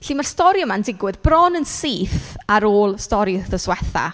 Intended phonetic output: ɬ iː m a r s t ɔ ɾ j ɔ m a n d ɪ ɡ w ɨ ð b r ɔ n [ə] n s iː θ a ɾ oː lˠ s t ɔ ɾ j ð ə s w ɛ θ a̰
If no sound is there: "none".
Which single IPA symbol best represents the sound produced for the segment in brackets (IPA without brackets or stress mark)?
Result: ə